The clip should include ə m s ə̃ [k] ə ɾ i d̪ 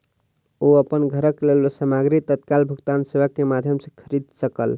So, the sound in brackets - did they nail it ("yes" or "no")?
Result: no